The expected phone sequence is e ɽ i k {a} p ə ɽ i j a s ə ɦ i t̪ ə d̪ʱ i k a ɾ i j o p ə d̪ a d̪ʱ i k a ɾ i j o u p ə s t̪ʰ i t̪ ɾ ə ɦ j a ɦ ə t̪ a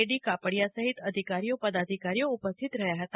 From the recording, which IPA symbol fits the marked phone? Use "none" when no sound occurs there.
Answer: a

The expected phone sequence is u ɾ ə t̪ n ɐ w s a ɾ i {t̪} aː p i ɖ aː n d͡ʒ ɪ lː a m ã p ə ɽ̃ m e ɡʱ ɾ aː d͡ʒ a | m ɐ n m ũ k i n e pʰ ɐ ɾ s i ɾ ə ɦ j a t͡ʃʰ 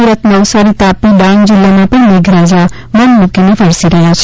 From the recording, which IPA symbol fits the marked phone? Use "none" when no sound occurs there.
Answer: t̪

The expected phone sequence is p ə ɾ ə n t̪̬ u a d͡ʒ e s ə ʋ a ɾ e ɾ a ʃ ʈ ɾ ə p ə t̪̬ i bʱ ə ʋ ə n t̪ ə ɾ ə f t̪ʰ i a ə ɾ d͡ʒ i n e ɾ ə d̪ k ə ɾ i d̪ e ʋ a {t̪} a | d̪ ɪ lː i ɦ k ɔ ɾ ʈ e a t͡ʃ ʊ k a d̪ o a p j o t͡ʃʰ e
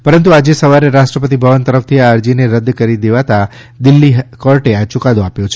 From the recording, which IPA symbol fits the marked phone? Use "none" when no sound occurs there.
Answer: t̪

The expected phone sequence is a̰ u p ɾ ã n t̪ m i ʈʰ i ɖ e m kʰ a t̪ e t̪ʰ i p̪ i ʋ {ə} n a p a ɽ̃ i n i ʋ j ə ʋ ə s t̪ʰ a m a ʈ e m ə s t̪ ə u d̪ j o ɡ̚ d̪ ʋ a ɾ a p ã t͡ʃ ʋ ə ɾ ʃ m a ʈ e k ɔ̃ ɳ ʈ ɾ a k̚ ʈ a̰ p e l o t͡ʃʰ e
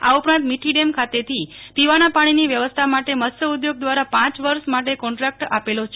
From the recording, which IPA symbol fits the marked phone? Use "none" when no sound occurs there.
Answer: a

